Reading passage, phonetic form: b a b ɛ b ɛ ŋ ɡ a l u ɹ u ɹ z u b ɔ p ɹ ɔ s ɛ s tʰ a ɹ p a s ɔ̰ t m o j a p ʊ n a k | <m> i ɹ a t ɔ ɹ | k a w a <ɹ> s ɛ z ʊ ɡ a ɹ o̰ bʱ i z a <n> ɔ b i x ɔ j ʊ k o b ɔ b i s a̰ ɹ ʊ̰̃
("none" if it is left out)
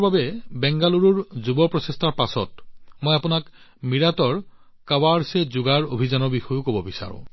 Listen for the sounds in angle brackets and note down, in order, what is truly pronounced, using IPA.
m, ɹ, n

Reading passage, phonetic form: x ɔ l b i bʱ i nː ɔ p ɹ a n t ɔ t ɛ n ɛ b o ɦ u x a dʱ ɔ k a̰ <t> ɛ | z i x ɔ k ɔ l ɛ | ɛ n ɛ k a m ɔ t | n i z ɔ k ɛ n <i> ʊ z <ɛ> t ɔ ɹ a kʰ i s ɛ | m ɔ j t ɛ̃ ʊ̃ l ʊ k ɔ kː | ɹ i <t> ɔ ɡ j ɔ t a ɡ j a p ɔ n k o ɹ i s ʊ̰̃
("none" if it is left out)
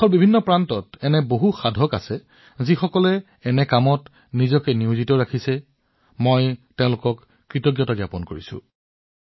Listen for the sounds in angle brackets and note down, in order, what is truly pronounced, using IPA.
s, i, i, t

